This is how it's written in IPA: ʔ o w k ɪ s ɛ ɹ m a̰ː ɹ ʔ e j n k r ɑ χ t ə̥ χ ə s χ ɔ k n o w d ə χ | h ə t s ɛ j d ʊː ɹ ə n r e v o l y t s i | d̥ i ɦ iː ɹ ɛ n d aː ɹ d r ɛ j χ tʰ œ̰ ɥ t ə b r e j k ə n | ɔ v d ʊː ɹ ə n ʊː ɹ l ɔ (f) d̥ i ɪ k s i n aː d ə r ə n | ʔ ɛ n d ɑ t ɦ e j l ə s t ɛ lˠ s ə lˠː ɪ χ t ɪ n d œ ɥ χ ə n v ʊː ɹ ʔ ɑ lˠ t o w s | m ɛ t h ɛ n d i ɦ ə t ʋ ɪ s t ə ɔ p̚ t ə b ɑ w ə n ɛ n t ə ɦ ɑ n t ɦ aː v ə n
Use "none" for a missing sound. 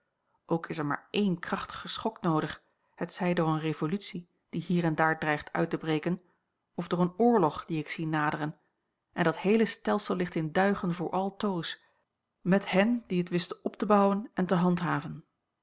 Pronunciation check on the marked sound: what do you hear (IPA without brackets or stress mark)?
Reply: χ